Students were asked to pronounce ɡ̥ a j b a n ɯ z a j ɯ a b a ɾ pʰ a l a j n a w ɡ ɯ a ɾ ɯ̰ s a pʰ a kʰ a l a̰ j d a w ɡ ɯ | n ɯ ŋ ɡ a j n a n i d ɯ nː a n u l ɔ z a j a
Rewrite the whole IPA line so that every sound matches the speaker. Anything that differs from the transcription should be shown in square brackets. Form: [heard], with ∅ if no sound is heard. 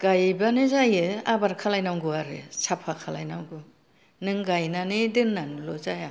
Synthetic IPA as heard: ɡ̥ a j b a n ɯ z a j ɯ a b a ɾ [kʰ] a l a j n a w ɡ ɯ a ɾ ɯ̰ s a pʰ a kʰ a l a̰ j [n] a w ɡ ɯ | n ɯ ŋ ɡ a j n a n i d ɯ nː a n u l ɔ z a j a